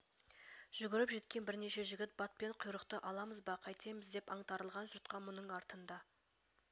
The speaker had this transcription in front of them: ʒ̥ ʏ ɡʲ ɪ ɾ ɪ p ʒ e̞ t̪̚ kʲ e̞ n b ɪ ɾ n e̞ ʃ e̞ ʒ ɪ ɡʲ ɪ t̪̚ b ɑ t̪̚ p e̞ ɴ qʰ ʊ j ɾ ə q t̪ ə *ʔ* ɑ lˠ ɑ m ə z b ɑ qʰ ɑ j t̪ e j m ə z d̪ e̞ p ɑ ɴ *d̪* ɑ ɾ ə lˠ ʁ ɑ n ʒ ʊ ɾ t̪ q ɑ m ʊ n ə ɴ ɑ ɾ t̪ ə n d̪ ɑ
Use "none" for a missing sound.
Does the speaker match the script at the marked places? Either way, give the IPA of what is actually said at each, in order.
ʔ, t̪

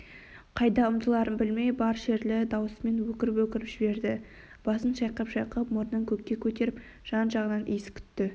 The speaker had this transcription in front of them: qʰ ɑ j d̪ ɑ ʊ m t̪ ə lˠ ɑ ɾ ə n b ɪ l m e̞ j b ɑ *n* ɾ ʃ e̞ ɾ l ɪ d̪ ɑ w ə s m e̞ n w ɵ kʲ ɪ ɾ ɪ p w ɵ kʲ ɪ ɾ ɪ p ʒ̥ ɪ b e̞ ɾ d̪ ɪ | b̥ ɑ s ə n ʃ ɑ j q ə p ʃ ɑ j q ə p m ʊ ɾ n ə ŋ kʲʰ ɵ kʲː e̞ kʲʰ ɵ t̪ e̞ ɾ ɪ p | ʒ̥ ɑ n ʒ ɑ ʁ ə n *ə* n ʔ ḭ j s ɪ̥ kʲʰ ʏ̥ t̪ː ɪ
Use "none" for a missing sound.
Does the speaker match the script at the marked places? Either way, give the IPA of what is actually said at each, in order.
none, ɑ

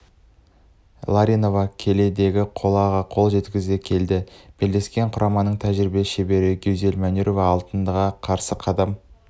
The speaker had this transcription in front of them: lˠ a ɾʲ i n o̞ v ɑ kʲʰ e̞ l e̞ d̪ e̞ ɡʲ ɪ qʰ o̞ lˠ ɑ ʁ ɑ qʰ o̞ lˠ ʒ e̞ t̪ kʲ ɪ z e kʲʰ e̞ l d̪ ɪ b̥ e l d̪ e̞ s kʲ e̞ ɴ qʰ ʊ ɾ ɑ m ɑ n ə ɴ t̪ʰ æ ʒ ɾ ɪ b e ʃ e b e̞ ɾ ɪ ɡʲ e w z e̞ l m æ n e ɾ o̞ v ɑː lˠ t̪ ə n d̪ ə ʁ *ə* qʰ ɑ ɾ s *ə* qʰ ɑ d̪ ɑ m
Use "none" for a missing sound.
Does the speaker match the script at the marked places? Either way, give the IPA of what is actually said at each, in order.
ɑ, ə

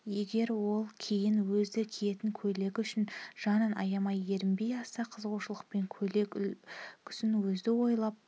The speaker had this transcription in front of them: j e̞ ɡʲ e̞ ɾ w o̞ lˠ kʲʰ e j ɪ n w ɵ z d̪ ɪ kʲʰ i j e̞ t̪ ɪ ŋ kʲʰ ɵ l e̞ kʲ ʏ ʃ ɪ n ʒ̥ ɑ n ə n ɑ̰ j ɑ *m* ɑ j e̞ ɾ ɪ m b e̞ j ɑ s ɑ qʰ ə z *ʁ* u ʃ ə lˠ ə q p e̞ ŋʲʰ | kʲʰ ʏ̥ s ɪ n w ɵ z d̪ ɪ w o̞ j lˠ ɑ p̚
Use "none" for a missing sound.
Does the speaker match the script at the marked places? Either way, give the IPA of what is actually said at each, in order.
m, ʁ

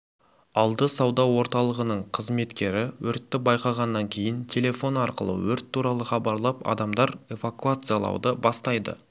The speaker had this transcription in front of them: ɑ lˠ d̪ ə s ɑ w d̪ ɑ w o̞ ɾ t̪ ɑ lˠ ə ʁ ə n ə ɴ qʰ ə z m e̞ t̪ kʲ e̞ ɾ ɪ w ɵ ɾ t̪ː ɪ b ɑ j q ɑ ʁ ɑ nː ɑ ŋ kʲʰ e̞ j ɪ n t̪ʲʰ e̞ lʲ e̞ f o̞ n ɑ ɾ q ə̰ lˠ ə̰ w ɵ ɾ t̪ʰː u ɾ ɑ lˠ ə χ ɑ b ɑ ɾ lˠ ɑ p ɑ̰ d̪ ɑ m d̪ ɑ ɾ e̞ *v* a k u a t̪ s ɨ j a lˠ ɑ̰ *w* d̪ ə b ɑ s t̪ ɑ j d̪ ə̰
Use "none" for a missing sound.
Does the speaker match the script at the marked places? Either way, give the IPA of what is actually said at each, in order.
v, w

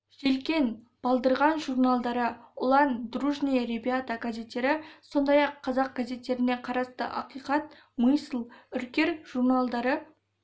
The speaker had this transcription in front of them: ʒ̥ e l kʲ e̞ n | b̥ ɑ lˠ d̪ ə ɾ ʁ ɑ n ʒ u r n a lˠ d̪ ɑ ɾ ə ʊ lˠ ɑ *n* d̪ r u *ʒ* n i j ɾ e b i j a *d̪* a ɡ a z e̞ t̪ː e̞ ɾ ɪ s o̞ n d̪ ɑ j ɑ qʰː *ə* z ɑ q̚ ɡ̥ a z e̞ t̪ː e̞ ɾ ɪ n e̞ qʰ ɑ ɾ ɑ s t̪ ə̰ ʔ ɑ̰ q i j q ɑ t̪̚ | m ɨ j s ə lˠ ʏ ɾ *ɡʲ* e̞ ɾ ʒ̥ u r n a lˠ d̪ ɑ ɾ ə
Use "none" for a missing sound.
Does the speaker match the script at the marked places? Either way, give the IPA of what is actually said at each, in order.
n, ʒ, t̪, ɑ, kʲ

